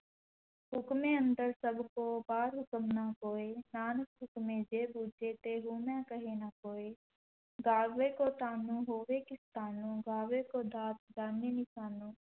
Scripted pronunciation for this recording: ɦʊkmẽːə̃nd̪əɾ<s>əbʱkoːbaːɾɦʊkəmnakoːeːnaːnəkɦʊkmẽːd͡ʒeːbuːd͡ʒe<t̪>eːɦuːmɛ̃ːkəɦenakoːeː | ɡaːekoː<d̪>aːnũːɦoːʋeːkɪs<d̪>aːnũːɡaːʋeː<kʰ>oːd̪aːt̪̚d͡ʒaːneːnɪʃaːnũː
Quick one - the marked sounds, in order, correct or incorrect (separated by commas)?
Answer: correct, correct, incorrect, incorrect, incorrect